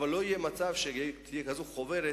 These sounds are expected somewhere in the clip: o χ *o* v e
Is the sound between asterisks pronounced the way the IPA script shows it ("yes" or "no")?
yes